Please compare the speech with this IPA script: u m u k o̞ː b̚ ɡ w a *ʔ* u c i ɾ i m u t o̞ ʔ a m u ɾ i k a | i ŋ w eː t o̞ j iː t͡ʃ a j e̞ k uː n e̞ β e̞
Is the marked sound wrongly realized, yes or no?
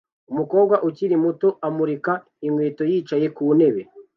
no